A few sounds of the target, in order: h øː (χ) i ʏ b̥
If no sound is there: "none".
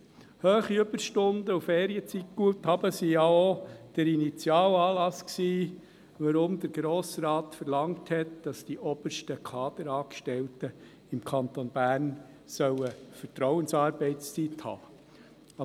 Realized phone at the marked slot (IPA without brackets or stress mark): χ